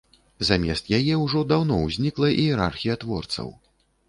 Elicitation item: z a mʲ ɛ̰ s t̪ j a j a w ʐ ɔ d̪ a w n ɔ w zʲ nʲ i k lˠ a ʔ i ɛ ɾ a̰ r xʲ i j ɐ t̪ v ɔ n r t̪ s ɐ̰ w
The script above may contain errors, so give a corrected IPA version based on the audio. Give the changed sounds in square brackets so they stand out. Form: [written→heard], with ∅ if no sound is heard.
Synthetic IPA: z a mʲ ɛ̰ s t̪ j a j [a→ɛ] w ʐ ɔ d̪ a w n ɔ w zʲ nʲ i k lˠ [a→ɐ] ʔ i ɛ ɾ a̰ r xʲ i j ɐ t̪ v ɔ [n→∅] r t̪ s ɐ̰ w